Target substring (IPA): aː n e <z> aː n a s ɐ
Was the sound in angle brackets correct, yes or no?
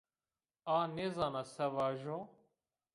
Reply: yes